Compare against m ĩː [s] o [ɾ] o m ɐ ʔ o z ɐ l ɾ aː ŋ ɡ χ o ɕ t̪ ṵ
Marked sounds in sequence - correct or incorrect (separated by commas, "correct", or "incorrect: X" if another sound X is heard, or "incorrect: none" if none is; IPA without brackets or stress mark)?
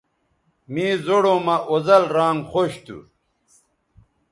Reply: incorrect: z, incorrect: ɽ